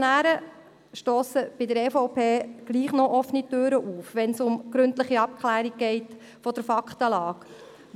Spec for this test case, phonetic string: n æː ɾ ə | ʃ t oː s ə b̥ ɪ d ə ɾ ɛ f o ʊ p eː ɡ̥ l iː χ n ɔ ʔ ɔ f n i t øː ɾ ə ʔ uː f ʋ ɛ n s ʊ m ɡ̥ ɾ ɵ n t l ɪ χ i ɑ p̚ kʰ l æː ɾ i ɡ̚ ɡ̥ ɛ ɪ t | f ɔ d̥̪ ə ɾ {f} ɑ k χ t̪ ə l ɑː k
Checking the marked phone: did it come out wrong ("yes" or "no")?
no